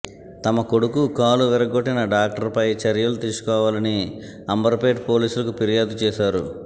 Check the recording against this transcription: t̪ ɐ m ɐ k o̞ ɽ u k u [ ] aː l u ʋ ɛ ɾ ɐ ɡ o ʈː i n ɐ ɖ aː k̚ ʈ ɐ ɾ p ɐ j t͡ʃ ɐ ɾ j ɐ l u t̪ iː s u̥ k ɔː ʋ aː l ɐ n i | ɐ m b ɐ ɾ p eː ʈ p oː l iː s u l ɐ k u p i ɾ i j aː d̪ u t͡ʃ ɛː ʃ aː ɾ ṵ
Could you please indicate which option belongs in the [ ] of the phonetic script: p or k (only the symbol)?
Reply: k